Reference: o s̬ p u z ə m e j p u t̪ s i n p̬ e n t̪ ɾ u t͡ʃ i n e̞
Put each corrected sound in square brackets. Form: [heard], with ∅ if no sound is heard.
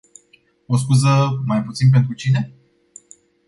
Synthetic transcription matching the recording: o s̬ [k] u z ə m [a] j p u t̪ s i n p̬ e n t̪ ɾ u t͡ʃ i n e̞